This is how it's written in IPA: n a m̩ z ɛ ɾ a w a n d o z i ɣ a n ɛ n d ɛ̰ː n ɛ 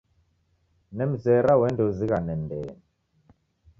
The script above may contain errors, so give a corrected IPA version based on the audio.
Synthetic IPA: n ɛ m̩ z ɛ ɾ a w ɛ n d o z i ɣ a n ɛ n d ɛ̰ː n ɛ